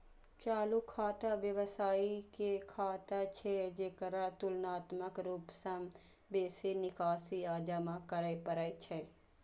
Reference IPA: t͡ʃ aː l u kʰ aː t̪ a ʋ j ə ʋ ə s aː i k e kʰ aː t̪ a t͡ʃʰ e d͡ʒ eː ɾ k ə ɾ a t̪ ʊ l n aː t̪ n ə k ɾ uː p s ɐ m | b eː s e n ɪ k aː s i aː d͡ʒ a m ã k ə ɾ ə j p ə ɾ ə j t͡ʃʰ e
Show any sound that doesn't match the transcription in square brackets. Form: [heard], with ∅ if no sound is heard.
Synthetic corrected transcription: t͡ʃ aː l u kʰ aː t̪ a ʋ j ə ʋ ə s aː i k e kʰ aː t̪ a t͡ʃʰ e d͡ʒ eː [∅] k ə ɾ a t̪ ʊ l n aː t̪ [m] ə k ɾ uː p s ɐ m | b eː s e n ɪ k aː s i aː d͡ʒ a m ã k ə ɾ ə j p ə ɾ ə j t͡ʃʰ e